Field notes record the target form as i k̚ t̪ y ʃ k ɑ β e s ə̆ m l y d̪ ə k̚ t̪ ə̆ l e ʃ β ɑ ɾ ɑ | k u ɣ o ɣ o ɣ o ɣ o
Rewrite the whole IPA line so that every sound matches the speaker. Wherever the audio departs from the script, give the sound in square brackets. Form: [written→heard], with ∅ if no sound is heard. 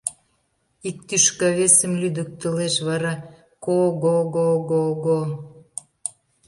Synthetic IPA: i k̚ t̪ y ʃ k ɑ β e s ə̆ m l y d̪ ə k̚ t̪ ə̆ l e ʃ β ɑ ɾ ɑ | k [u→o] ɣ o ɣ o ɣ o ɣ o